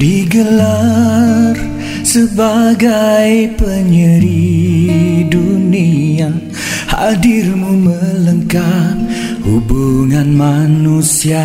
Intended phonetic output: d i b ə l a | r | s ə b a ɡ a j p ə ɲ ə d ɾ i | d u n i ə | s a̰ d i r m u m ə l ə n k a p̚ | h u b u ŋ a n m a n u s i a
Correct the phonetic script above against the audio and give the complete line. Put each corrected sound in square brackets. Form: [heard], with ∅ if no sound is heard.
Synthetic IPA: d i [ɡ] ə l a | r | s ə b a ɡ a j p ə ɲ ə [∅] ɾ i | d u n i [a] | [h] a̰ d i r m u m ə l ə [ŋ] k a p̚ | h u b u ŋ a n m a n u s i a